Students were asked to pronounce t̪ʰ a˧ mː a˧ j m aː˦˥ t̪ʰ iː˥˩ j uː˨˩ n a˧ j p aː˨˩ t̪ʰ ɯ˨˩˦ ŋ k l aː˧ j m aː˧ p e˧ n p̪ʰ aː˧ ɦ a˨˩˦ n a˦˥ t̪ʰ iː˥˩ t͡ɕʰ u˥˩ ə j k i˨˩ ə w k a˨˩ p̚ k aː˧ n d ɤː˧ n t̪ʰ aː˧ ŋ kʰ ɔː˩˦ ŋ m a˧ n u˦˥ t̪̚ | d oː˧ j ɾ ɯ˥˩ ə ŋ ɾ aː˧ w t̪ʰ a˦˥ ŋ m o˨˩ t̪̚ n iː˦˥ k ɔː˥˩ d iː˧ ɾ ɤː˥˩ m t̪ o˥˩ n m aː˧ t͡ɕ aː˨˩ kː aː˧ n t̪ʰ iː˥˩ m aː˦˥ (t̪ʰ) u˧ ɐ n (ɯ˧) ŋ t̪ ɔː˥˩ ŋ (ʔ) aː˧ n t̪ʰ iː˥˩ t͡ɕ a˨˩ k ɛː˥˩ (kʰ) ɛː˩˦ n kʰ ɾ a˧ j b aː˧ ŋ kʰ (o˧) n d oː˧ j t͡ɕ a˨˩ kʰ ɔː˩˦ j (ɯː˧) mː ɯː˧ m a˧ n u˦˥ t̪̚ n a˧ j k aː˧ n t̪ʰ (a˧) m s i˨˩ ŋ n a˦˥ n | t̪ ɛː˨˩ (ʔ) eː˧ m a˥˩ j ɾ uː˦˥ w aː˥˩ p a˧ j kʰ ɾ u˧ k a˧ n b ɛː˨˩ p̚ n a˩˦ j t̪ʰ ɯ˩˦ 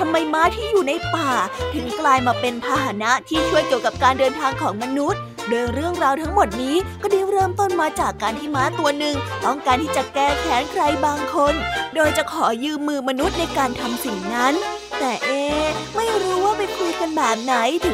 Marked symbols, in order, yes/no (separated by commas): no, no, no, yes, yes, yes, yes, yes